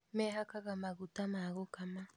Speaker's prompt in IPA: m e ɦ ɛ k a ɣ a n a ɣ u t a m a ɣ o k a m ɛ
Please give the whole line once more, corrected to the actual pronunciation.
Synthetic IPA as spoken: m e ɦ a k a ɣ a m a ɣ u t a m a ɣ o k a m a